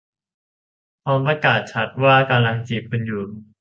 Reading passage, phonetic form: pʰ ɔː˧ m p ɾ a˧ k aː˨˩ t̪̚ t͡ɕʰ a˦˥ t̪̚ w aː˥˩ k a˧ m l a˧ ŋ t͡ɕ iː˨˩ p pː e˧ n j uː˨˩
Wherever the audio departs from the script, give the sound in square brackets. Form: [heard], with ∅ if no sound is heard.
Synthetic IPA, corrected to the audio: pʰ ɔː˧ m p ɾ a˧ k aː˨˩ t̪̚ t͡ɕʰ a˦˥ t̪̚ w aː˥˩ k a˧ m l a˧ ŋ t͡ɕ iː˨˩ p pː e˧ n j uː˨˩